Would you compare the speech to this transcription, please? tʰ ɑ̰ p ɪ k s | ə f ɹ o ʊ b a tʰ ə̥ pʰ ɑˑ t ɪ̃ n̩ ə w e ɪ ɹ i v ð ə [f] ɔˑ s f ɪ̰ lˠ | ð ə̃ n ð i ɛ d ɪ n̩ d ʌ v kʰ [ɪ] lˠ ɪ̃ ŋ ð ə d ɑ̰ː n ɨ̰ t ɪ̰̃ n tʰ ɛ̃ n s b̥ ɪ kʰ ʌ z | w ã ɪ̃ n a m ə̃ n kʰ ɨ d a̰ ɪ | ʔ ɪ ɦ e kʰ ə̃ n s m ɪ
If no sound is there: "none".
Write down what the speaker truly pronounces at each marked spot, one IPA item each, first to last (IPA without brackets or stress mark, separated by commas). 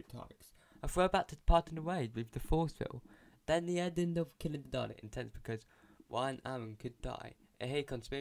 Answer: f, ɪ